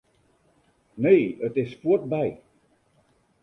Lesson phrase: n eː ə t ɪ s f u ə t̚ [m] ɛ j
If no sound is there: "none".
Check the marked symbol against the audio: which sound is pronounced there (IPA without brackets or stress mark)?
b